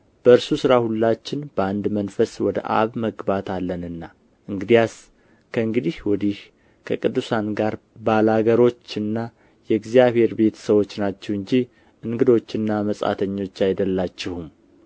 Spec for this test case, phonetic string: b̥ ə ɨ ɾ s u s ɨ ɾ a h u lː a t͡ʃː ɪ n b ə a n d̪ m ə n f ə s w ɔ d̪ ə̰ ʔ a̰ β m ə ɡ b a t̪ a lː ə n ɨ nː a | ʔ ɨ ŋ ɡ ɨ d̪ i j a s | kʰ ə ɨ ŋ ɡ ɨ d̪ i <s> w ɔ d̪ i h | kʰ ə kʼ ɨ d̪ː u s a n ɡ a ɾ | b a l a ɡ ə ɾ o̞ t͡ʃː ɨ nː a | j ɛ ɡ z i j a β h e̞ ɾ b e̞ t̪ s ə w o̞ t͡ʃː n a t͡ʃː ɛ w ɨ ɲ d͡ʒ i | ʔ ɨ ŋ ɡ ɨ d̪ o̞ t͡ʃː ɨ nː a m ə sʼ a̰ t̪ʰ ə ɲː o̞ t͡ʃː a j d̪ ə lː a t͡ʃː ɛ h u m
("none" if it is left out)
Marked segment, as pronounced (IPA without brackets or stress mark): h